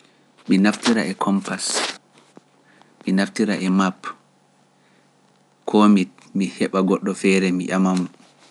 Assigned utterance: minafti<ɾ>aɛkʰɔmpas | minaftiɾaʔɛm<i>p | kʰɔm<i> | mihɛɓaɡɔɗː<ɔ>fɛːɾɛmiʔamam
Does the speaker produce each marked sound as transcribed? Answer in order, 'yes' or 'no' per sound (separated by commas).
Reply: yes, no, yes, yes